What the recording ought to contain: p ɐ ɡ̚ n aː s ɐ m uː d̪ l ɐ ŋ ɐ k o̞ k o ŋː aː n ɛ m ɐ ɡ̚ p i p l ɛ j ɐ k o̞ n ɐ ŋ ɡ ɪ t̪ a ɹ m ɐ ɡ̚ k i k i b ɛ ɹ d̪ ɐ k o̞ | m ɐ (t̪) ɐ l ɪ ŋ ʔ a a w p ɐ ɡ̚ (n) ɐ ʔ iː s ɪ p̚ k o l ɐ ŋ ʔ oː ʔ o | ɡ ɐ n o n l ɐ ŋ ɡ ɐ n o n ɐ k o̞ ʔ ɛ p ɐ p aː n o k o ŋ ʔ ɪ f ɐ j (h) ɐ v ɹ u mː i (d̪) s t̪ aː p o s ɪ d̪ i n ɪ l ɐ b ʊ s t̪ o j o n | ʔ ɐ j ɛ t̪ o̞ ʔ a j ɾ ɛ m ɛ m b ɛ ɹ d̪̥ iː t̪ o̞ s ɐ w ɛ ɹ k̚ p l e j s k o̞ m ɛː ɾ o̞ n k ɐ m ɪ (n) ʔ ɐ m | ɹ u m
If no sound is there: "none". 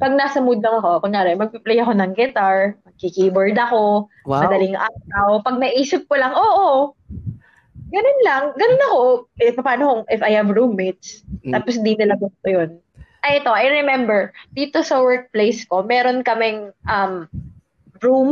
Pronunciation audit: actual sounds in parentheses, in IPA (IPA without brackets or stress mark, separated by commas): d̪, n, h, t̪, ŋ